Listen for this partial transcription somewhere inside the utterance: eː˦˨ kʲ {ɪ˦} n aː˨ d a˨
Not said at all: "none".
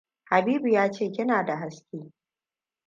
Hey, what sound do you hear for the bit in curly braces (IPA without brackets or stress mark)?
ɪ˦